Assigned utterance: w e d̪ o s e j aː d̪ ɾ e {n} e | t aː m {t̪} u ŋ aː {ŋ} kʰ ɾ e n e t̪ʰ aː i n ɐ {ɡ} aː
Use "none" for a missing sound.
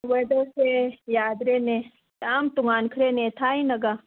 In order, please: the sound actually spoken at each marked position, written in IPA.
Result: n, t̪, n, ɡ

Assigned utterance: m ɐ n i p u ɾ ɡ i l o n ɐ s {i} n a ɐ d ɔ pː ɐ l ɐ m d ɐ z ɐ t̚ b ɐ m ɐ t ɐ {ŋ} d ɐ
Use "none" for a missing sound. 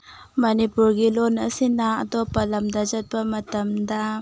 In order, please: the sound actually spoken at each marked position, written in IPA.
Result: i, m

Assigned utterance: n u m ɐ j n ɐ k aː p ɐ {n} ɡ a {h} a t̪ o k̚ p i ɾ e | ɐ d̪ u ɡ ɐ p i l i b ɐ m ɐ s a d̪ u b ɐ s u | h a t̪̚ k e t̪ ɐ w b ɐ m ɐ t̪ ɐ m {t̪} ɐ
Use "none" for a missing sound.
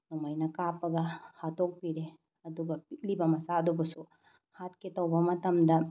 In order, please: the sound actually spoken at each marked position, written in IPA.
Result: none, h, d̪

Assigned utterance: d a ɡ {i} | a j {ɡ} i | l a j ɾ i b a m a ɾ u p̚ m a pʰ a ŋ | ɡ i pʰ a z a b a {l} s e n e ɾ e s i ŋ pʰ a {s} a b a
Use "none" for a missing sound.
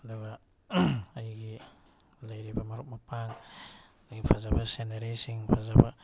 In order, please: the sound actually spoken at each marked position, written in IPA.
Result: a, ɡ, none, z

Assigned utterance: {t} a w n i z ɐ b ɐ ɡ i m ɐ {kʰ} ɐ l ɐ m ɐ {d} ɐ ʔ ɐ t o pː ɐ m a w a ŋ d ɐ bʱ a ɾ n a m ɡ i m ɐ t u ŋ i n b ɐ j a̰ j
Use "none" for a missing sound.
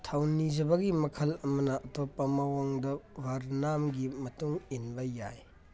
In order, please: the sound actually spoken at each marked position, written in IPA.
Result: tʰ, kʰ, n

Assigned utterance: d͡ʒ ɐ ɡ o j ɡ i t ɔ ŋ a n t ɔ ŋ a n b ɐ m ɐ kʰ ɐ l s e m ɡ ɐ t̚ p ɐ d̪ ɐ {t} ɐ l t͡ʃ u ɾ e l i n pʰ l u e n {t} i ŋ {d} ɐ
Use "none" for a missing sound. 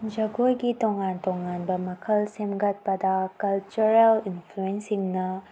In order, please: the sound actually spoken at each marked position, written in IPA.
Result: k, s, n

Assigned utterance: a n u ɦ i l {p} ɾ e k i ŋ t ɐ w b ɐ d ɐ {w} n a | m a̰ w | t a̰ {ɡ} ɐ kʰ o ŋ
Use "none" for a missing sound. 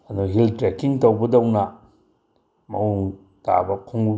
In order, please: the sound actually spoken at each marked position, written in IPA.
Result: t, w, b

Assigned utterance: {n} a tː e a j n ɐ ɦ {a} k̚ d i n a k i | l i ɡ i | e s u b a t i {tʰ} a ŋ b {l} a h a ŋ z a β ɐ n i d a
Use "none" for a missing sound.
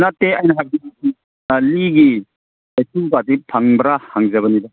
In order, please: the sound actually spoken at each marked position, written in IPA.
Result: n, a, pʰ, ɾ

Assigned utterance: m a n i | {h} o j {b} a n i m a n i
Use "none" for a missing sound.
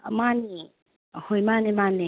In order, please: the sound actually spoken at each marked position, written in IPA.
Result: h, m

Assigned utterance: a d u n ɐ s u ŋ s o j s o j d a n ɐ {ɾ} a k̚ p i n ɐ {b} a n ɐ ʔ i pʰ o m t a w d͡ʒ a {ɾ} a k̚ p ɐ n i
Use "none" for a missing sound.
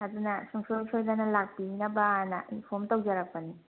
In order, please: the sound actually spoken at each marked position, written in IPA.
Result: l, b, ɾ

